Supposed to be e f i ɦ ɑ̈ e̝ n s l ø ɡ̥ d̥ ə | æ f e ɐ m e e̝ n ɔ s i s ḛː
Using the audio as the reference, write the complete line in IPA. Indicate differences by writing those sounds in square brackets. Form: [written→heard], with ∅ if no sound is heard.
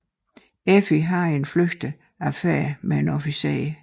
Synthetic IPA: e f i ɦ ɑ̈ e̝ n [s→f] l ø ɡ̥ d̥ ə | æ f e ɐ m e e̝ n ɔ [s→f] i s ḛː